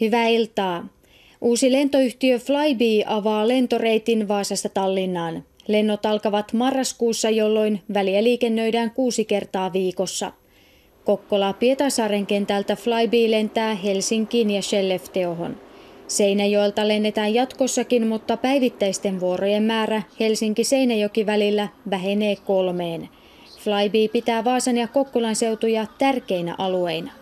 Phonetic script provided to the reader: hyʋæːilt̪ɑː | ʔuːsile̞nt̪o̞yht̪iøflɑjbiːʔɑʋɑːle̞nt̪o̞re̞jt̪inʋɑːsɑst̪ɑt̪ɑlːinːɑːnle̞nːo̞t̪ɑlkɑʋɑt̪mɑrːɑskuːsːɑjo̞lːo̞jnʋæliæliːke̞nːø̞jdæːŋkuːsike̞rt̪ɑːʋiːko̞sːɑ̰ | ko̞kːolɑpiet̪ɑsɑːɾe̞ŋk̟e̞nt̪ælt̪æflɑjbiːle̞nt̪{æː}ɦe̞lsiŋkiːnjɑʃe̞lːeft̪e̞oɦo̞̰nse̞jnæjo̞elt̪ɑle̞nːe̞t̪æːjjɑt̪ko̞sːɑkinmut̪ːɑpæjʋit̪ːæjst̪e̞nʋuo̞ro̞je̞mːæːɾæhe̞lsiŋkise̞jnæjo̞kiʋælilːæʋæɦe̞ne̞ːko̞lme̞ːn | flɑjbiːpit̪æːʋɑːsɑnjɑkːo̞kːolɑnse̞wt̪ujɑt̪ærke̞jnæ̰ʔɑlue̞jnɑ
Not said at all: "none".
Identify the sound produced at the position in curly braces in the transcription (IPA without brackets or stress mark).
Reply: æː